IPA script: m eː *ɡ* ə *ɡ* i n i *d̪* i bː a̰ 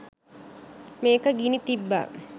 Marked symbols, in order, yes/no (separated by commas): no, yes, no